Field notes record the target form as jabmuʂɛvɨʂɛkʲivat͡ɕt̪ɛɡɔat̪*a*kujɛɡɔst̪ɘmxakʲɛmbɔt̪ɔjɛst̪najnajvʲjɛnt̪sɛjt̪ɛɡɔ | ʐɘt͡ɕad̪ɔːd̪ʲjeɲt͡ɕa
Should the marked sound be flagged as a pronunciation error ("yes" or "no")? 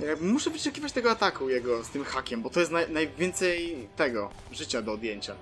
no